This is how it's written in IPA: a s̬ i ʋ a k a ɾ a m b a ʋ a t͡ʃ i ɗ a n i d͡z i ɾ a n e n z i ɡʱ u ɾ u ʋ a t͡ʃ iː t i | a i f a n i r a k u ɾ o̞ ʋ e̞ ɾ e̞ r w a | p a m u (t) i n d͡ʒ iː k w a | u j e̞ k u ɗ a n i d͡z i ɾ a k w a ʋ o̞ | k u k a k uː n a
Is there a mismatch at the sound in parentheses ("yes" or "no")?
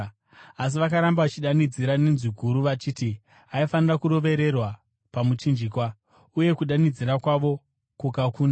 yes